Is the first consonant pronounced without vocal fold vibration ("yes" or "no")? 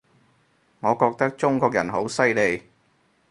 no